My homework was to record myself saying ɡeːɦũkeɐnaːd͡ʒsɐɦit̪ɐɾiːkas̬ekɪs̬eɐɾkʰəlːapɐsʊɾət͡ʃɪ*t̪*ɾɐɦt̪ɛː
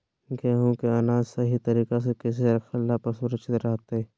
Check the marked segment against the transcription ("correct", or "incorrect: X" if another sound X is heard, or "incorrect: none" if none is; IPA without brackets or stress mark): correct